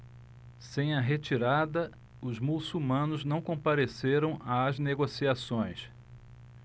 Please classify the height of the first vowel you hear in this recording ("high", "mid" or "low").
mid